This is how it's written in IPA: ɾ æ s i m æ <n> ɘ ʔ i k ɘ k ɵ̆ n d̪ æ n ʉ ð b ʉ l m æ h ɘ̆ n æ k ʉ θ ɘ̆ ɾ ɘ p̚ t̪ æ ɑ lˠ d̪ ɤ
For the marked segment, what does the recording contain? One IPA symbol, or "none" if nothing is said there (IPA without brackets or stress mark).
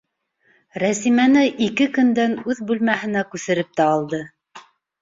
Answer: n